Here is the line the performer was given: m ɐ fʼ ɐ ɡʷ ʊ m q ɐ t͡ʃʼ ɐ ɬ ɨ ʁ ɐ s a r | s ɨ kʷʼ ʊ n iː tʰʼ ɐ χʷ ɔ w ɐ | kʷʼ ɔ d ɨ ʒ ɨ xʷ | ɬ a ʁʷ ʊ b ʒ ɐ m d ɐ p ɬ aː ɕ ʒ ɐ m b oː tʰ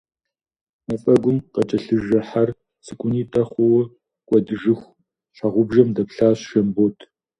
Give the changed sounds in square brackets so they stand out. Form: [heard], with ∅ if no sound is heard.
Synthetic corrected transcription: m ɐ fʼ ɐ ɡʷ ʊ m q ɐ t͡ʃʼ ɐ ɬ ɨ [ʒ] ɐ [ħ] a r | s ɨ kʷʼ ʊ n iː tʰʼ ɐ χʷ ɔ w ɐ | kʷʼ ɔ d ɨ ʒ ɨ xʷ | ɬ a ʁʷ ʊ b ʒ ɐ m d ɐ p ɬ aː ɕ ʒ ɐ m b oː tʰ